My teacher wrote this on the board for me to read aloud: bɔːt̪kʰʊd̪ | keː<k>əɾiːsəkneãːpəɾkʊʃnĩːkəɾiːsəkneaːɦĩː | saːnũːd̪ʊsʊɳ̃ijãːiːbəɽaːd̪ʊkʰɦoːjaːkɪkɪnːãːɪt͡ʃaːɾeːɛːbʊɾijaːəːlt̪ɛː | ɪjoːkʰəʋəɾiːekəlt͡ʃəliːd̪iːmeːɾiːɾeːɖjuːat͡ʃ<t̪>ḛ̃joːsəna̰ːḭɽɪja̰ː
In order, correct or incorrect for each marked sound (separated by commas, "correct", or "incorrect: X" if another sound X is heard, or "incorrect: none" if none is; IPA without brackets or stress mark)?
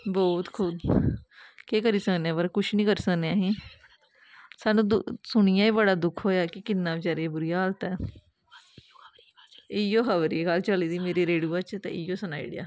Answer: correct, correct